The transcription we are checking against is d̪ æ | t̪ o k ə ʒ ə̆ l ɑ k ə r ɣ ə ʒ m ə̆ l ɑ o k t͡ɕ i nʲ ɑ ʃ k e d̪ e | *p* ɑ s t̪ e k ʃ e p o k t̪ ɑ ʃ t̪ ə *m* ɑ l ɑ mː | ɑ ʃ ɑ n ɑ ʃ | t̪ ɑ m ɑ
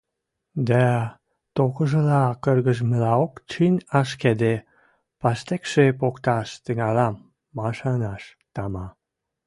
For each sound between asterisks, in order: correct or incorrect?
correct, incorrect: ŋ

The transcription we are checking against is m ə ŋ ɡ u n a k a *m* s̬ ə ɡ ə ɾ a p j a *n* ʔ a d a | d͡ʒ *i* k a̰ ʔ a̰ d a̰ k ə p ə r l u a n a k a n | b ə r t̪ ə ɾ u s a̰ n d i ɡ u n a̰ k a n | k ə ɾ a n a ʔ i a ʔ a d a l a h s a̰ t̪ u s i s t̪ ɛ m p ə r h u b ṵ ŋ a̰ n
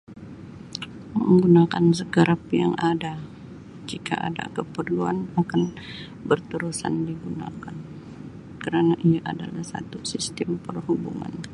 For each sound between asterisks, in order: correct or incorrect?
incorrect: n, incorrect: ŋ, correct

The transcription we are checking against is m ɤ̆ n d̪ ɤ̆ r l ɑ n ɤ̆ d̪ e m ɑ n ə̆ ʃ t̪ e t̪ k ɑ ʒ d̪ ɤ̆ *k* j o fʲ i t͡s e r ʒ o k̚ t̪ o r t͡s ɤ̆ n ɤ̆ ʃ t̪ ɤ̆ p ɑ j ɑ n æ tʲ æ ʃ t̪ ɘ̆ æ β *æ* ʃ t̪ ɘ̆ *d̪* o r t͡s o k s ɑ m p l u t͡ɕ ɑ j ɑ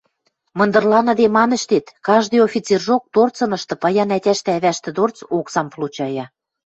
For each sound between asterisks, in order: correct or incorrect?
incorrect: none, correct, correct

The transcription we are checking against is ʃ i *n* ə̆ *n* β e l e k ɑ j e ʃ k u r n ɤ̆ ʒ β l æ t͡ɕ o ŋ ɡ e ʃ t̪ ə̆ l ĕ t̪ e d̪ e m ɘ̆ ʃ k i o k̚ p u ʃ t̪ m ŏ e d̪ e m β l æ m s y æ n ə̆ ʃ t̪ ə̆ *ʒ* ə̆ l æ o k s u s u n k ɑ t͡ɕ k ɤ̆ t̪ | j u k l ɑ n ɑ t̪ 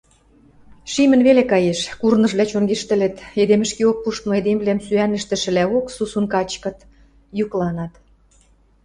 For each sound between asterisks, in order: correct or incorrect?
incorrect: m, correct, incorrect: ʃ

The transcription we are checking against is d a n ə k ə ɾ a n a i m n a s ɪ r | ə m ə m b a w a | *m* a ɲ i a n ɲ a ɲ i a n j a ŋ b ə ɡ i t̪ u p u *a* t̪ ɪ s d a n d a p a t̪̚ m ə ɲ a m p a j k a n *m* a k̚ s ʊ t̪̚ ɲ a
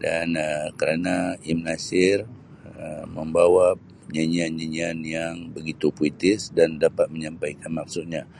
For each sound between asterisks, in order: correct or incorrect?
incorrect: ɲ, incorrect: i, correct

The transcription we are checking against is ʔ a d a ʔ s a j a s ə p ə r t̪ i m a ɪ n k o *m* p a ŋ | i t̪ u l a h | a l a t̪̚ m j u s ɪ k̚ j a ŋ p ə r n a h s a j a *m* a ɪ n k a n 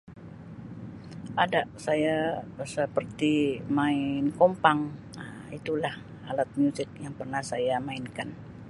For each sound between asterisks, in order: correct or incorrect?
correct, correct

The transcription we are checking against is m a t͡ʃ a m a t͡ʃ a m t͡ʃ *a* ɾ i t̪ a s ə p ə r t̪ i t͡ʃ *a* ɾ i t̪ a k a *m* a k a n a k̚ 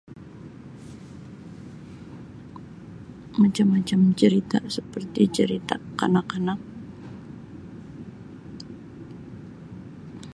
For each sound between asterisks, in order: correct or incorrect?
incorrect: ə, incorrect: ə, incorrect: n

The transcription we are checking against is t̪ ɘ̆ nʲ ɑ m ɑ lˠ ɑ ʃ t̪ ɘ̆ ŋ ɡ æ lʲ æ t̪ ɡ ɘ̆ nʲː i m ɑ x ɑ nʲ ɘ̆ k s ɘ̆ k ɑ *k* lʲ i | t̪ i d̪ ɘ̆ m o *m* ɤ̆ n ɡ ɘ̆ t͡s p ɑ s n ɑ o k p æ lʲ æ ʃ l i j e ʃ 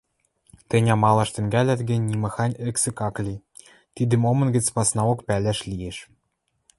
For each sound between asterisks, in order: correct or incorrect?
correct, correct

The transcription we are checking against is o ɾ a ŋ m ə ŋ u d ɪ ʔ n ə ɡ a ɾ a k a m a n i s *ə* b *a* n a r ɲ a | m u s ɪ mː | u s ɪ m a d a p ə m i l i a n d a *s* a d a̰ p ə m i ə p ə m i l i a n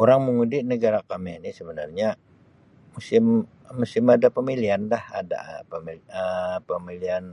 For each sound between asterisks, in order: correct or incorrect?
correct, incorrect: ə, incorrect: h

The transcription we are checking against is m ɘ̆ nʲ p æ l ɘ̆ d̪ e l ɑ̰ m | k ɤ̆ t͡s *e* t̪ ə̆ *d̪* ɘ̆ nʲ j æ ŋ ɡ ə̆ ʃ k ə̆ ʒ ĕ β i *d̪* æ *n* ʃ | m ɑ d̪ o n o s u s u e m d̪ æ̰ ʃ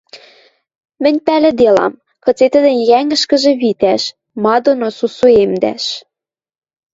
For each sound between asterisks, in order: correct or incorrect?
correct, correct, incorrect: t̪, incorrect: none

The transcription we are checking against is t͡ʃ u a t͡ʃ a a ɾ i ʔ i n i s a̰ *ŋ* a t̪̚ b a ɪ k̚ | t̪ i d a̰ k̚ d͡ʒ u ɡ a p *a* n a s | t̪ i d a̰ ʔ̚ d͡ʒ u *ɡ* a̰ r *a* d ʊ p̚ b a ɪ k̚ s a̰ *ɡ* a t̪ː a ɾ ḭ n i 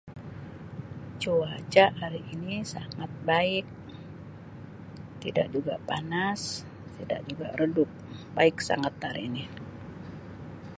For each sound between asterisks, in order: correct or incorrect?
correct, correct, correct, incorrect: ə, incorrect: ŋ

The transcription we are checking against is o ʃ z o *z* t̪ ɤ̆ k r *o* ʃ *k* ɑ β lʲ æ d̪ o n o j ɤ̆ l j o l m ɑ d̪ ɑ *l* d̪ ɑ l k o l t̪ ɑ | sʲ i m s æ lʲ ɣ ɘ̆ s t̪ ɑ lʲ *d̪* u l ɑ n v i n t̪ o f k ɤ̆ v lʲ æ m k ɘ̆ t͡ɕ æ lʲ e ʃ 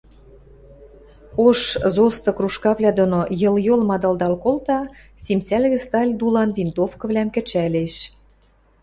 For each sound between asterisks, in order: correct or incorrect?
incorrect: s, incorrect: u, correct, correct, correct

